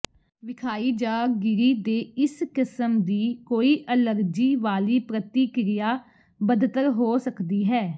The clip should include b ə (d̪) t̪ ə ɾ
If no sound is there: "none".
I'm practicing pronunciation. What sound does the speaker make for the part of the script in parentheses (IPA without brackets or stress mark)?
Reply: d̪